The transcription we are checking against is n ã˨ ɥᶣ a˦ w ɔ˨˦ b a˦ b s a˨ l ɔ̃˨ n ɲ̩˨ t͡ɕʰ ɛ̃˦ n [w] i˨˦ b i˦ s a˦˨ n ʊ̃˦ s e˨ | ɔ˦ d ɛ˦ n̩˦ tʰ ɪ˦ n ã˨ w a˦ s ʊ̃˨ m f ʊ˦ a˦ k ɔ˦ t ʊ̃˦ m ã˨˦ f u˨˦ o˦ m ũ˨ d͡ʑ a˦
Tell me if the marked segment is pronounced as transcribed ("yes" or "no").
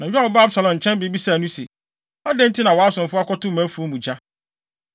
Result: no